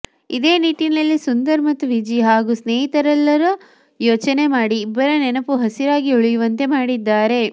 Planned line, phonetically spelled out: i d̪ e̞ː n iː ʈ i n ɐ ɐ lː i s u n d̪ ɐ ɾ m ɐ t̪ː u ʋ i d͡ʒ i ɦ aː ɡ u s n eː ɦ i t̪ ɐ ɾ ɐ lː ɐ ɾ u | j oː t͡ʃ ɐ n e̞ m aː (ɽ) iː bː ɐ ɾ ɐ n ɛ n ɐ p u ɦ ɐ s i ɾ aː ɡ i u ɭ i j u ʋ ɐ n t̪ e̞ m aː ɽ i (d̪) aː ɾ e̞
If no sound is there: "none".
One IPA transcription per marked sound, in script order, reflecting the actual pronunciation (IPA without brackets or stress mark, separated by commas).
ɽ, d̪ː